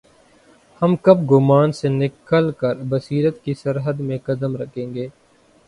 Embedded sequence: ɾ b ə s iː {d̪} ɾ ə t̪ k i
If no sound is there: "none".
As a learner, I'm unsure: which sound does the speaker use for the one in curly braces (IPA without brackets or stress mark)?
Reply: none